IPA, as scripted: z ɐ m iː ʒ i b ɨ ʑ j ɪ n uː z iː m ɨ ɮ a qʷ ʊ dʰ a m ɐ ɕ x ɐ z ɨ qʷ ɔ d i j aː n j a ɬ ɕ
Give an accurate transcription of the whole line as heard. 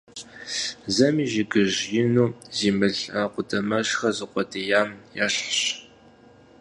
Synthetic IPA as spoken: z ɐ m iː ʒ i ɡ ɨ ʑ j ɪ n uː z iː m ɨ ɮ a qʷ ʊ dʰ ɐ m ɐ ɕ x ɐ z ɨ qʷ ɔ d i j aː m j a ɬ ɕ